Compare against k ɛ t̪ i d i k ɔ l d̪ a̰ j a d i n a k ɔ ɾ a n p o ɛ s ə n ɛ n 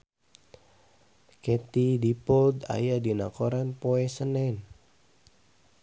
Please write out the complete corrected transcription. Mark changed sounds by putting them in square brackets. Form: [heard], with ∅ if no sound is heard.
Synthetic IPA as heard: k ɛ t̪ i d i [p] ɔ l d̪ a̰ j a d i n a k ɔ ɾ a n p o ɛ s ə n ɛ n